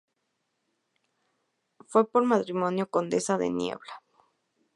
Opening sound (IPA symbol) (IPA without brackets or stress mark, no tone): f